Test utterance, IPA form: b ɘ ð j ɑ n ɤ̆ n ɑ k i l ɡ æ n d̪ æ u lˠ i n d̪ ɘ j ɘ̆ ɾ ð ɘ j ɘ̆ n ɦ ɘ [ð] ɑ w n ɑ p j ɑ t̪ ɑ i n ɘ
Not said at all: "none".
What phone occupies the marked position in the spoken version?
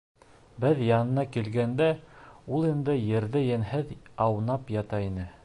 ð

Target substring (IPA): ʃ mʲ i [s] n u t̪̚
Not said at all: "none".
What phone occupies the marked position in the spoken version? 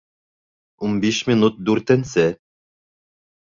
none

